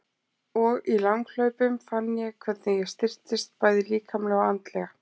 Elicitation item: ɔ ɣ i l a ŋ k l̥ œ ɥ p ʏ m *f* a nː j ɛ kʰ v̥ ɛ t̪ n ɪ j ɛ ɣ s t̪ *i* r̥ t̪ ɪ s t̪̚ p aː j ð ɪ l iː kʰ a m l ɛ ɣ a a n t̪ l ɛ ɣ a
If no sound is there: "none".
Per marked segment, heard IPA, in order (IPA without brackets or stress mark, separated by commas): f, ɪ